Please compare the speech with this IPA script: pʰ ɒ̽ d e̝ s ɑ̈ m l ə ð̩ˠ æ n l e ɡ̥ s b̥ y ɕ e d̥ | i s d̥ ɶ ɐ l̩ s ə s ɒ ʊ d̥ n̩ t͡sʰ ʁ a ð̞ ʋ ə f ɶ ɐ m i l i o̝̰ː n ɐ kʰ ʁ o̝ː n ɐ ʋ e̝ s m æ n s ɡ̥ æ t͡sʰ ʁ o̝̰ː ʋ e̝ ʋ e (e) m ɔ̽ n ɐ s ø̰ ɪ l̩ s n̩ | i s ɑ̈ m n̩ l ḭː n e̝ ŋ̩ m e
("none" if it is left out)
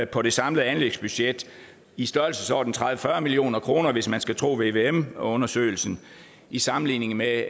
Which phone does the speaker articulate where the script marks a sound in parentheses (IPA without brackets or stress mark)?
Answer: e